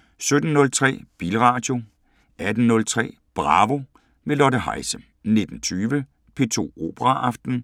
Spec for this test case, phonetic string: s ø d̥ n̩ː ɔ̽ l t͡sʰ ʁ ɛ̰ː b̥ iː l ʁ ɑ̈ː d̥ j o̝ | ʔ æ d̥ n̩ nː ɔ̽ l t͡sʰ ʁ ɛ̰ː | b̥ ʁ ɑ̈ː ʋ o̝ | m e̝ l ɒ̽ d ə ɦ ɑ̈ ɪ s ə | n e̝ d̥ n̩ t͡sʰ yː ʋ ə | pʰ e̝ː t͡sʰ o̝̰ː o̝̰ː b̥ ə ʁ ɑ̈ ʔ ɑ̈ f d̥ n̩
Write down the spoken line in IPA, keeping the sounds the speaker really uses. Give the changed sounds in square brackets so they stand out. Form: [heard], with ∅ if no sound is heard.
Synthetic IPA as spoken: s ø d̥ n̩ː ɔ̽ l t͡sʰ ʁ ɛ̰ː b̥ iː l ʁ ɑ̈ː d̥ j o̝ | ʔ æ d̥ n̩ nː ɔ̽ l t͡sʰ ʁ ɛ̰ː | b̥ ʁ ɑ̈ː ʋ o̝ | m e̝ l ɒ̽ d ə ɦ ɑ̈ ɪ s ə | n e̝ d̥ n̩ t͡sʰ yː ʋ ə | pʰ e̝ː t͡sʰ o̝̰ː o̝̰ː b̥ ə ʁ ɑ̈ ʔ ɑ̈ f d̥ n̩